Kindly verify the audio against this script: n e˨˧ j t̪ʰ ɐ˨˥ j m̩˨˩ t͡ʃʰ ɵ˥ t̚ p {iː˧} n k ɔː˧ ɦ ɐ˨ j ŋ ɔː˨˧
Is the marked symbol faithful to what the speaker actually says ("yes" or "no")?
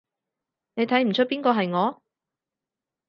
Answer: no